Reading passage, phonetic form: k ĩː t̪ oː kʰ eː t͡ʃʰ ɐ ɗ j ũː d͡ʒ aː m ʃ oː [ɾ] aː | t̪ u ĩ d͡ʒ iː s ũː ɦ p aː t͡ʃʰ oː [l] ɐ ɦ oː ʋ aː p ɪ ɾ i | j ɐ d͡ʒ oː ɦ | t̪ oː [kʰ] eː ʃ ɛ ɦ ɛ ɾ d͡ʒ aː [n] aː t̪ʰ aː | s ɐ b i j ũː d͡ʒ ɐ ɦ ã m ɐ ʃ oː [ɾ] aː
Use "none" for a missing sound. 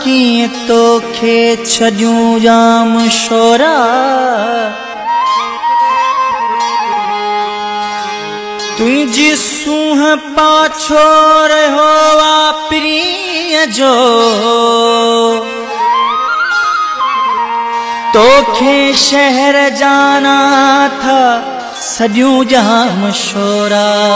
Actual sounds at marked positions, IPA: ɾ, ɾ, kʰ, n, ɾ

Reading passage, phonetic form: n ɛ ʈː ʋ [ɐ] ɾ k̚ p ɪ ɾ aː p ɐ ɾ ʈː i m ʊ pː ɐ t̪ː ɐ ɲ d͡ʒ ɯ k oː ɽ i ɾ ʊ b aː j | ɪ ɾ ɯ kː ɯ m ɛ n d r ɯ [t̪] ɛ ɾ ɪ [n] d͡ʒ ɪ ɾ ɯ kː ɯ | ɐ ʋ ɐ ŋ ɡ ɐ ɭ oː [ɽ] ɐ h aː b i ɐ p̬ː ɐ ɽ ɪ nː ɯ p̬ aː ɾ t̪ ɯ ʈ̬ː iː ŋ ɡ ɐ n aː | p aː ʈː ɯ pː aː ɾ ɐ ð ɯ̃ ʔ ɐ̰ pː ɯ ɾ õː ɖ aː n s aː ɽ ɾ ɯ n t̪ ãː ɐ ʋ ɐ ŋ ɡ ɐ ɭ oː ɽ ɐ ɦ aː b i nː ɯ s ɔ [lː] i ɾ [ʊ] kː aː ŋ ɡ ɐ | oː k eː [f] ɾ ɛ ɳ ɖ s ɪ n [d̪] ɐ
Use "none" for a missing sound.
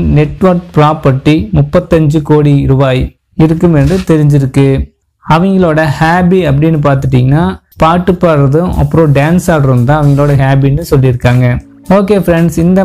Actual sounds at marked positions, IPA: ɐ, t̪, ɲ, ɽ, lː, ɯ, f, d̪

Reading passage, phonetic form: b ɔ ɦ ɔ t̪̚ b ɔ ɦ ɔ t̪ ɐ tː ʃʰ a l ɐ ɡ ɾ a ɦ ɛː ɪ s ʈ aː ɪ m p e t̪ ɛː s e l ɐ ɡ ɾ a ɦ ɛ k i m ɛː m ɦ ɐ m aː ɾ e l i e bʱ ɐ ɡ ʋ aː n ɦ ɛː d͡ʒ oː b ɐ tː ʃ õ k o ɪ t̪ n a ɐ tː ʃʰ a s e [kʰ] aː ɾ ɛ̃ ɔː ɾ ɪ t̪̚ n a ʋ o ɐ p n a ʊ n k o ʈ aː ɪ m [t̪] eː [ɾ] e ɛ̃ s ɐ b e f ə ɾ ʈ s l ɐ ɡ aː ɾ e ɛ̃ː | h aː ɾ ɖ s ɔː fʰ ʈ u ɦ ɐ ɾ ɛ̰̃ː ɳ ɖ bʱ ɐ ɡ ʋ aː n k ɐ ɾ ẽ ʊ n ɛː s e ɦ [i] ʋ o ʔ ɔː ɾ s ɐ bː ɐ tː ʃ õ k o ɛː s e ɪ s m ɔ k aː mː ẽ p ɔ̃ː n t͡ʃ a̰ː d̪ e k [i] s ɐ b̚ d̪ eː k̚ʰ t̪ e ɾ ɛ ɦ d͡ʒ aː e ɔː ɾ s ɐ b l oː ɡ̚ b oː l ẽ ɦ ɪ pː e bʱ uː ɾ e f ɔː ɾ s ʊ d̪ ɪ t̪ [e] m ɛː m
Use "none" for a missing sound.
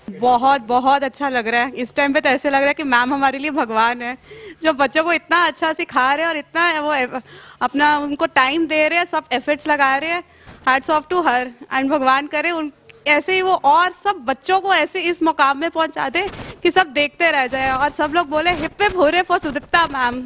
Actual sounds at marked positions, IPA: kʰ, d̪, ɾ, i, i, a

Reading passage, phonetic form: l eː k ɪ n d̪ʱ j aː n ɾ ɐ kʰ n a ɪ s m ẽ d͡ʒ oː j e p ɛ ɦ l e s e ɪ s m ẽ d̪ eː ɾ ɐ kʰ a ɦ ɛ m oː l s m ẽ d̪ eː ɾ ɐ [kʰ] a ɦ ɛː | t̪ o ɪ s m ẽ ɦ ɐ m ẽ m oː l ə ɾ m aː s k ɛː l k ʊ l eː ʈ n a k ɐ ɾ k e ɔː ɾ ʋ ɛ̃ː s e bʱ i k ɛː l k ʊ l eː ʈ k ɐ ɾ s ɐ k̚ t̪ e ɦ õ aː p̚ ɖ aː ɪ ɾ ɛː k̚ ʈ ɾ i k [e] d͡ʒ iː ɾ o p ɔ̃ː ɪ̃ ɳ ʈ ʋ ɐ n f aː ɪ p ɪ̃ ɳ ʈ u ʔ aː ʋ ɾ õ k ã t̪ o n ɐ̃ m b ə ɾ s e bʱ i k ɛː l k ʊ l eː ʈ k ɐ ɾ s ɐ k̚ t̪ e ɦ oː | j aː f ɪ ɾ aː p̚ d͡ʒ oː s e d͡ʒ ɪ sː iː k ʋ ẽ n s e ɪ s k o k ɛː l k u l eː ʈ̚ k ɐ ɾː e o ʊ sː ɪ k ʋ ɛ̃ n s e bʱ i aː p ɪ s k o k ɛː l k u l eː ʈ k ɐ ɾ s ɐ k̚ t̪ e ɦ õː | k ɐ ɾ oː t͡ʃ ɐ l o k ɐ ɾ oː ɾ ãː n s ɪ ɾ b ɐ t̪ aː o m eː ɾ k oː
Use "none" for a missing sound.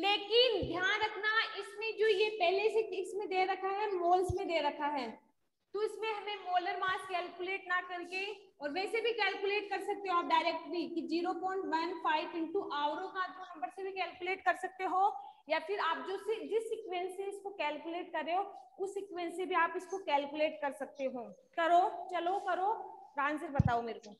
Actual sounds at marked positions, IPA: kʰ, i

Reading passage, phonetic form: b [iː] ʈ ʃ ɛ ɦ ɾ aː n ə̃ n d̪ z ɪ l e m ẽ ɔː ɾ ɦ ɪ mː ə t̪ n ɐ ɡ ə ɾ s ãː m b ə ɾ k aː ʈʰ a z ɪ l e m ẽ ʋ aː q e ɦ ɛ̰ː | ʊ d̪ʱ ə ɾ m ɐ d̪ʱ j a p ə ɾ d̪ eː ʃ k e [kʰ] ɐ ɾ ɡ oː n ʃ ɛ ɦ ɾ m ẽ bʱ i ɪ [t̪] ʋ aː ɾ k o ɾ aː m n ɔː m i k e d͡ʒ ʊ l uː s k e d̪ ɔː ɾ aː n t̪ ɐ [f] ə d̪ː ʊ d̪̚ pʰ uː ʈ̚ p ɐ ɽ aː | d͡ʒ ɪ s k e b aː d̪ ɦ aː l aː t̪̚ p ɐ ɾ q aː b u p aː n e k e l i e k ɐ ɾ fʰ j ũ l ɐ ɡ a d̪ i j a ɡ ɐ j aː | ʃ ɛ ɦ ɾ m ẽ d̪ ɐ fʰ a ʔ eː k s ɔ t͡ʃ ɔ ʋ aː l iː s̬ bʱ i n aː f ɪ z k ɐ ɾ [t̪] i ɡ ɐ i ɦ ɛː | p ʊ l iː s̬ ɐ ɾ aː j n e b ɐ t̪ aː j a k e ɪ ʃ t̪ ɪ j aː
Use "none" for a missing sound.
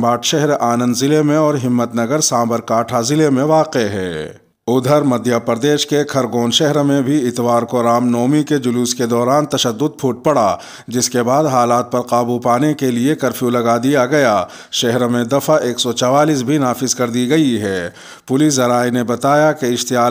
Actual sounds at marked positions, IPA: aː, kʰ, t̪, ʃ, d̪

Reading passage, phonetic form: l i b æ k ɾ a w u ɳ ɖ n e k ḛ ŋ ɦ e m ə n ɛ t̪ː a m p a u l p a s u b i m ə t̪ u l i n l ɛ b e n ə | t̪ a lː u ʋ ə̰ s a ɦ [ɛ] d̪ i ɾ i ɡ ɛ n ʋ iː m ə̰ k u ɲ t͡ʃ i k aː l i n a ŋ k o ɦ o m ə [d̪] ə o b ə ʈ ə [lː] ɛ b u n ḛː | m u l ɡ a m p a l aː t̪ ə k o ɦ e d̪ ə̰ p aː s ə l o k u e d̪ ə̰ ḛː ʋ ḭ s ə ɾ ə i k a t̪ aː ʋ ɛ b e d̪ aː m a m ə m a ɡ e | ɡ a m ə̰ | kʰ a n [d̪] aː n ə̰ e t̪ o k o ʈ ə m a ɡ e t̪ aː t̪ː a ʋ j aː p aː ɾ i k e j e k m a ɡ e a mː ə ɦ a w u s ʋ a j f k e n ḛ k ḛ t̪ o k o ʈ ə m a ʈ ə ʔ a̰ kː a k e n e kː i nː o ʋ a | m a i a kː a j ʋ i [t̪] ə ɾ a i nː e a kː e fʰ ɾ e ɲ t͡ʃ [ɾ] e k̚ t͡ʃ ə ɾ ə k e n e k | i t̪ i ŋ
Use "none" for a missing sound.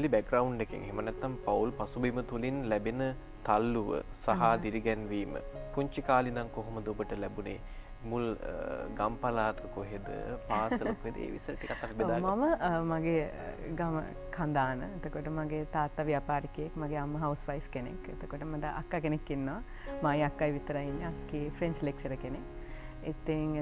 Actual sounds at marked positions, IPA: a, d̪, l, d̪, t̪, l

